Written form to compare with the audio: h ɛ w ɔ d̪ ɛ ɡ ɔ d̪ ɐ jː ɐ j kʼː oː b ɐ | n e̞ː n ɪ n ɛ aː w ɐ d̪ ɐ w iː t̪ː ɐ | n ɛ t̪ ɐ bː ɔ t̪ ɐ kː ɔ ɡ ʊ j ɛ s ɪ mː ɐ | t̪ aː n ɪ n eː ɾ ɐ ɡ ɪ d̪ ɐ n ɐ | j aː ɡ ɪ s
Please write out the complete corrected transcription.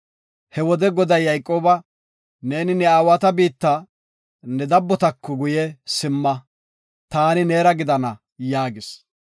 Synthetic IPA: h ɛ w ɔ d̪ ɛ ɡ ɔ d̪ ɐ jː ɐ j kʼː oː b ɐ | n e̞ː n ɪ n ɛ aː w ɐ t̪ ɐ b iː t̪ː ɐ | n ɛ d̪ ɐ bː ɔ t̪ ɐ kː ɔ ɡ ʊ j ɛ s ɪ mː ɐ | t̪ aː n ɪ n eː ɾ ɐ ɡ ɪ d̪ ɐ n ɐ | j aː ɡ ɪ s